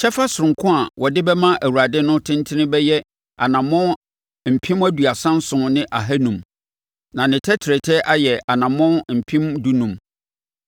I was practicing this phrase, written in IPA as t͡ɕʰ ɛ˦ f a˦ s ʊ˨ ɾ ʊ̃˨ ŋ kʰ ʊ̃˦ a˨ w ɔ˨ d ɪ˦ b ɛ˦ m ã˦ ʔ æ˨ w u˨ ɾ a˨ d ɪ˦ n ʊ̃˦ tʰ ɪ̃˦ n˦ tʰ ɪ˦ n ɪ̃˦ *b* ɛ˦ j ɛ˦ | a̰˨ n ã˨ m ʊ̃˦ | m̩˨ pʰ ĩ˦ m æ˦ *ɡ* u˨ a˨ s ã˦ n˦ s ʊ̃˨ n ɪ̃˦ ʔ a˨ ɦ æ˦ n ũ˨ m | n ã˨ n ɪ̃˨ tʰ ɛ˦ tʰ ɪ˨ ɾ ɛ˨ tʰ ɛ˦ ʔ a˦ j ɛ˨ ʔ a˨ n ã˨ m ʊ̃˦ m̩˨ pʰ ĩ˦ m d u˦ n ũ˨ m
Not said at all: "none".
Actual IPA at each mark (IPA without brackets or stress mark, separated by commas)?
b, d